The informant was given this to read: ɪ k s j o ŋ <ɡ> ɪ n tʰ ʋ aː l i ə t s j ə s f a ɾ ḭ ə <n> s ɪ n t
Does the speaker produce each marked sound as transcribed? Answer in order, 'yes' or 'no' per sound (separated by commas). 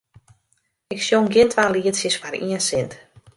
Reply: yes, yes